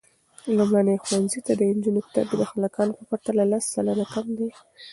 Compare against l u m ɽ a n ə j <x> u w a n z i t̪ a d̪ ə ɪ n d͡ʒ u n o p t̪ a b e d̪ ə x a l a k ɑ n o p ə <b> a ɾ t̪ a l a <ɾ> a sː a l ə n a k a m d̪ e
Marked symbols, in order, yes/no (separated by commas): yes, no, no